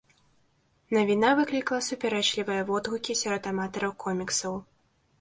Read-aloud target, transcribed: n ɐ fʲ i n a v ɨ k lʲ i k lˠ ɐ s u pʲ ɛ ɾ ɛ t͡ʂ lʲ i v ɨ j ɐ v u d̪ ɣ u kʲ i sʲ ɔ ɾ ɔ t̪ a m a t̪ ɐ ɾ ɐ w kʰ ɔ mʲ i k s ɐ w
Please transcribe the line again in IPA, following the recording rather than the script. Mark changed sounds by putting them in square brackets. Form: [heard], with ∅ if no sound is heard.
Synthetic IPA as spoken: n ɐ [vʲ] i n a v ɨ k lʲ i k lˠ ɐ s u pʲ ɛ ɾ ɛ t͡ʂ lʲ i v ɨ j ɐ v [ɔ] d̪ ɣ u kʲ i sʲ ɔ ɾ ɔ t̪ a m a t̪ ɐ ɾ ɐ w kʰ ɔ mʲ i k s ɐ w